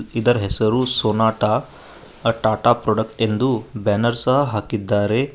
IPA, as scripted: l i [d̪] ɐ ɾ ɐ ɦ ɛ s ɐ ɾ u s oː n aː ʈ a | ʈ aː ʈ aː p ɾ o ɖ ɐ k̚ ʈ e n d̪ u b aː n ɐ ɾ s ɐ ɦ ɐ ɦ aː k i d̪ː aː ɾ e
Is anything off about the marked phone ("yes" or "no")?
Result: no